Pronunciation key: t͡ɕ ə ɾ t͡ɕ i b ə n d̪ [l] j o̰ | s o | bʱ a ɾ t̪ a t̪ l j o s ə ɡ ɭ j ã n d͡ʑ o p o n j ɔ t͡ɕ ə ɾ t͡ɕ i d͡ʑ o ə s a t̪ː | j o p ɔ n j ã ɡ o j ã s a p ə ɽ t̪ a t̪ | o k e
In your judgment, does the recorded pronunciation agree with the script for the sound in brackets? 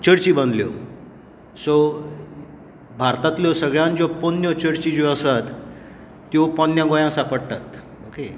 yes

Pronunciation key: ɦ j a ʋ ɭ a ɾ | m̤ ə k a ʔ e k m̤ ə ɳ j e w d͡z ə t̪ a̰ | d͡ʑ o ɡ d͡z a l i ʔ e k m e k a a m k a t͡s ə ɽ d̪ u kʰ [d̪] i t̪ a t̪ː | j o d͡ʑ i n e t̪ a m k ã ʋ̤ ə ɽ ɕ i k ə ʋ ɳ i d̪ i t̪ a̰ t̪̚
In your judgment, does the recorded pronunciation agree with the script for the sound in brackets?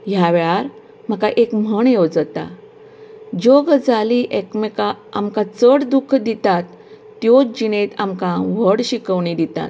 yes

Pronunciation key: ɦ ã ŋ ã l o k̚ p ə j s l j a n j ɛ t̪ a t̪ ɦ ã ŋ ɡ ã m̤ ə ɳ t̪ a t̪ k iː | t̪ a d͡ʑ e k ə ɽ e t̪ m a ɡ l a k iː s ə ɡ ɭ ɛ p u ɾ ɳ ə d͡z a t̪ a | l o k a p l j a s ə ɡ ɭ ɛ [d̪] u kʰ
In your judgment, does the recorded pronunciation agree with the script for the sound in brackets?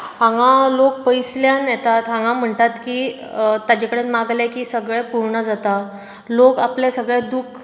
yes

